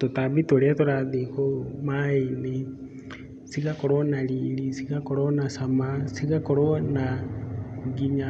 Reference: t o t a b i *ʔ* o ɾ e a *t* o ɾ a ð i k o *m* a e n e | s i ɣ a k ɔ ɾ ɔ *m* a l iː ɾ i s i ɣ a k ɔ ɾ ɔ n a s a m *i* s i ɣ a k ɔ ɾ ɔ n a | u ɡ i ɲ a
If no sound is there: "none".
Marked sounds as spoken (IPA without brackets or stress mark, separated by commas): t, t, m, n, a